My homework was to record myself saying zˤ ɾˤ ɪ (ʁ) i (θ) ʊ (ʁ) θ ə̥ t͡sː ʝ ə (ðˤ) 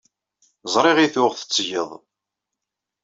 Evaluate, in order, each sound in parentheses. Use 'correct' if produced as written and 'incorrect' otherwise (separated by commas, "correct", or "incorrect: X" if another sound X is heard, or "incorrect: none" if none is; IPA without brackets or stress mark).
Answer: correct, correct, correct, correct